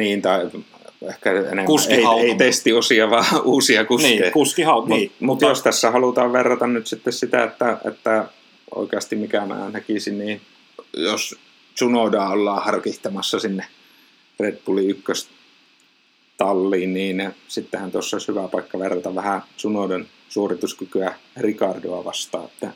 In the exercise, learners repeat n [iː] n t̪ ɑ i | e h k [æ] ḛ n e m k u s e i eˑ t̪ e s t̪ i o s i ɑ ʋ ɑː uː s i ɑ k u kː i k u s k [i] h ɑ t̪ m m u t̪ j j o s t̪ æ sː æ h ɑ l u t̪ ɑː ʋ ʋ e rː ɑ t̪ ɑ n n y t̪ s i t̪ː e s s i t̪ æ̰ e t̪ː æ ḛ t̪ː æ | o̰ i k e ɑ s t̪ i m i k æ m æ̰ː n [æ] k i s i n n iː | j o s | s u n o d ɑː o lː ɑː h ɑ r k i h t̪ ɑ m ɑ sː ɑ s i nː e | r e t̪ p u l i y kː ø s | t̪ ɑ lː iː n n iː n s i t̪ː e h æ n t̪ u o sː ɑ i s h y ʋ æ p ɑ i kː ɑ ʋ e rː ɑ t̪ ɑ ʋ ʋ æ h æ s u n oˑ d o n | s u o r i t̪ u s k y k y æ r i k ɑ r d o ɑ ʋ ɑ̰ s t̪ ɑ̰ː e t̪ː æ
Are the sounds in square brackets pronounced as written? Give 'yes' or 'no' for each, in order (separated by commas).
yes, yes, yes, yes